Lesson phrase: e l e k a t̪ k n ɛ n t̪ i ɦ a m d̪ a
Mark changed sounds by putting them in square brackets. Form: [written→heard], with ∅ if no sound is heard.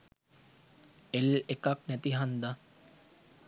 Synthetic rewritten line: e l e k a [t̪→∅] k n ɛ [n→∅] t̪ i ɦ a [m→n] d̪ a